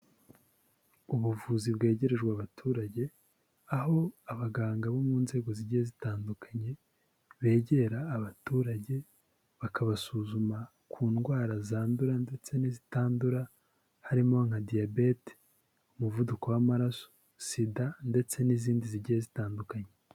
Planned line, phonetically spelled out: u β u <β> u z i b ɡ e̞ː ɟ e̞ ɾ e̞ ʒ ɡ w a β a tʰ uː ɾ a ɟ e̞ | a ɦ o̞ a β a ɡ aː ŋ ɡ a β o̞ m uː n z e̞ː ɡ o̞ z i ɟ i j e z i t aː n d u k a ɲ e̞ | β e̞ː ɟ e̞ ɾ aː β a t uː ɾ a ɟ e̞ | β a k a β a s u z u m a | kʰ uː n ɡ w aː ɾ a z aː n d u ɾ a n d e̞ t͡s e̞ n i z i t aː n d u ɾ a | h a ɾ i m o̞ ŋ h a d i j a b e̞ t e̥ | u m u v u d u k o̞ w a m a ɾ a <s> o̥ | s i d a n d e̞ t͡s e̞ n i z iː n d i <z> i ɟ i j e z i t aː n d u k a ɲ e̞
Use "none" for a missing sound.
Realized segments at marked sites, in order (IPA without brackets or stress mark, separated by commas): v, s, z